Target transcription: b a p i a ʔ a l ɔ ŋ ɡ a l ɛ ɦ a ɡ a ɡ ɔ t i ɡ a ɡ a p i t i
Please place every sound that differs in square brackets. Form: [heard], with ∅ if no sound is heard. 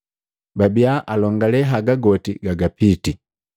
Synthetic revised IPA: b a [b] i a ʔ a l ɔ ŋ ɡ a l ɛ ɦ a ɡ a ɡ ɔ t i ɡ a ɡ a p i t i